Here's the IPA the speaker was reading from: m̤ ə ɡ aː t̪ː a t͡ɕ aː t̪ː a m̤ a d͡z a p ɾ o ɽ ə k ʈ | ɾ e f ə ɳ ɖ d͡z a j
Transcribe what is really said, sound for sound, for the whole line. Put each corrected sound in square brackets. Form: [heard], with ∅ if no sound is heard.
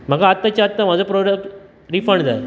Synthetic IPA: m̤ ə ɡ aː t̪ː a t͡ɕ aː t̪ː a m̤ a d͡z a p ɾ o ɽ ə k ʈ | ɾ [i] f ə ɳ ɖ d͡z a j